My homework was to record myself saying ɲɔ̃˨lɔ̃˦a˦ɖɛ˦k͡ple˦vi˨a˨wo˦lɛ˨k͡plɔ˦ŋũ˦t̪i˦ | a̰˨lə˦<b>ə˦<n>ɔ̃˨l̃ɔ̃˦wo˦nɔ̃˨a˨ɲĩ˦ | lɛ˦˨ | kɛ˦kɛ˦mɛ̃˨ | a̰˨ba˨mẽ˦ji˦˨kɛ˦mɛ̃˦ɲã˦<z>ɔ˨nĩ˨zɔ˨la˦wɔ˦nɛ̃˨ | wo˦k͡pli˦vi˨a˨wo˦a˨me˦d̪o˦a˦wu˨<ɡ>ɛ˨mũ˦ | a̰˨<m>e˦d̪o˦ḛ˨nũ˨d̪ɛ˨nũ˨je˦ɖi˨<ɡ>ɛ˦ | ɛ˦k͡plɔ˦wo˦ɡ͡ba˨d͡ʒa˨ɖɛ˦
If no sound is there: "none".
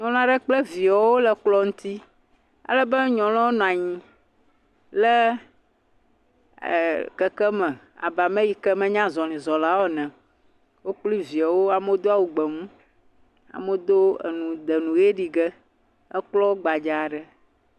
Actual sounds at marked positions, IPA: b, ɲ, z, ɡ͡b, m, ɡ

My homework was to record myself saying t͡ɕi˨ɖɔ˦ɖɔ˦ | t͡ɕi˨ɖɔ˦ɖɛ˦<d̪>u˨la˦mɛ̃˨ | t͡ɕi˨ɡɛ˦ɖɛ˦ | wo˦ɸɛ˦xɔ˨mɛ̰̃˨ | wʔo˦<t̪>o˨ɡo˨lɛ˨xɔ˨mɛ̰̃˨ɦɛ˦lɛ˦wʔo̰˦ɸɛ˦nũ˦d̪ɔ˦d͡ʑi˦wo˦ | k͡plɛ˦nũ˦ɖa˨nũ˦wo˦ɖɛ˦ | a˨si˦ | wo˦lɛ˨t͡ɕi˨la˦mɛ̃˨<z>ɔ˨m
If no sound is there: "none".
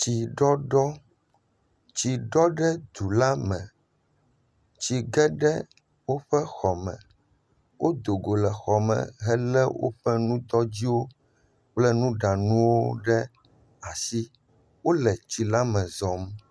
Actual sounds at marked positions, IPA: d̪, d̪, z

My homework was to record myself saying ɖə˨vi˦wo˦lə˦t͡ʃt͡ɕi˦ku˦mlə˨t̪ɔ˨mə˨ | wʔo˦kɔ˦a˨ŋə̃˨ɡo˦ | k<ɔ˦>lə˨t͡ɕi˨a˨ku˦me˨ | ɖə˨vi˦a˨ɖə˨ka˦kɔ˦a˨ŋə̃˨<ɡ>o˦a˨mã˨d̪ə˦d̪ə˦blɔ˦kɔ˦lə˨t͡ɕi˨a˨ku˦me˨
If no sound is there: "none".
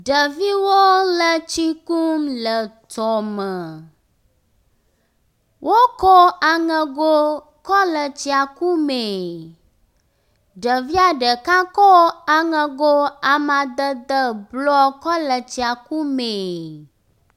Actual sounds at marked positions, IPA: ɔ˦, ɡ

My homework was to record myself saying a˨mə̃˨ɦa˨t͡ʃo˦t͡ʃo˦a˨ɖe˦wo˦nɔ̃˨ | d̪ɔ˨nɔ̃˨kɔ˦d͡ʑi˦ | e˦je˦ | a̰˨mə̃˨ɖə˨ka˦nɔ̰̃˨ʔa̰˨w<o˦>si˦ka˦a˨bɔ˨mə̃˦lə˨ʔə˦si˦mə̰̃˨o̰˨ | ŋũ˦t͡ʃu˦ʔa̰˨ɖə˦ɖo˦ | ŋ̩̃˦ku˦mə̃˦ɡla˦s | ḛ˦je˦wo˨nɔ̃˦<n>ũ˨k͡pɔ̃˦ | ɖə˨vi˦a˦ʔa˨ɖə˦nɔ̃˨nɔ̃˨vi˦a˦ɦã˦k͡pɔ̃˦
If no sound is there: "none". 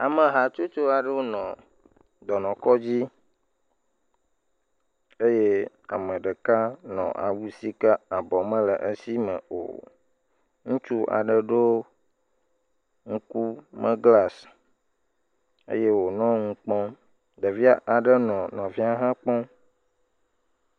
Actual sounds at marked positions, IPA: u˦, ŋ

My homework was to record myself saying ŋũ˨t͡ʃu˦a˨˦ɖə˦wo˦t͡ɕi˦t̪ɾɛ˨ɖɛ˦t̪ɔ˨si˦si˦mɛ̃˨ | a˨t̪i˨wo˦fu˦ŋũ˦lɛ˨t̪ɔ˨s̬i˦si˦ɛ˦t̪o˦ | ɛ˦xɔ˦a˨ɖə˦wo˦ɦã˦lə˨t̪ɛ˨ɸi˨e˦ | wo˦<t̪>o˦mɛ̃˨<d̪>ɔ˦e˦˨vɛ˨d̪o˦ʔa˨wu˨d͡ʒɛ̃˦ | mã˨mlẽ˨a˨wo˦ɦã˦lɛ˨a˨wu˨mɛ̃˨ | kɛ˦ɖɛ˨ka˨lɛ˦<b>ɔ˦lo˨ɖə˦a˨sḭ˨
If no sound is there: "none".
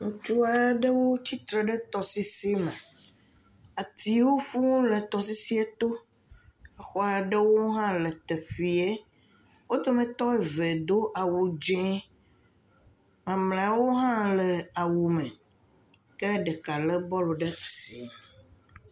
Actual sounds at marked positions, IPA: d̪, t̪, b

